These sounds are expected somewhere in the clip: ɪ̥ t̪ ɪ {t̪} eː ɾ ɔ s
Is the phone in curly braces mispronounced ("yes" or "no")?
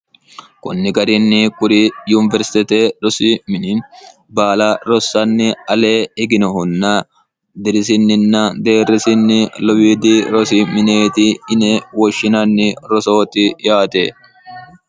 no